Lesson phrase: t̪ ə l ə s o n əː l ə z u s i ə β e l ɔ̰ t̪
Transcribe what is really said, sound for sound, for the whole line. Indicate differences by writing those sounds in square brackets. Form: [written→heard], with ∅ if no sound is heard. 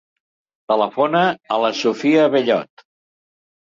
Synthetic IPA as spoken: t̪ ə l ə [s→f] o n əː l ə [z→s] u [s→f] i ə β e [l→ʎ] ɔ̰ t̪